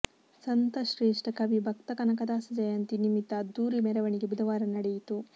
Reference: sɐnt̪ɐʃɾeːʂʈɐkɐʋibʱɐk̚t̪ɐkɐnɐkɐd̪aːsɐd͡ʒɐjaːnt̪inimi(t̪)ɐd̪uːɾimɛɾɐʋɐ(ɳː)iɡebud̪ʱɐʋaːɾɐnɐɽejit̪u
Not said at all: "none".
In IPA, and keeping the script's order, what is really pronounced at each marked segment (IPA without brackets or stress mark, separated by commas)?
t̪, ɳ